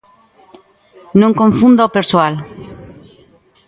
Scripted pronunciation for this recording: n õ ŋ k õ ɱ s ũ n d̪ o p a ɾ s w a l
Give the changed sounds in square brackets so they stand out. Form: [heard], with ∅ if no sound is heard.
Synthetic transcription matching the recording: n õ ŋ k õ ɱ [f] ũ n d̪ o p [e] ɾ s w a l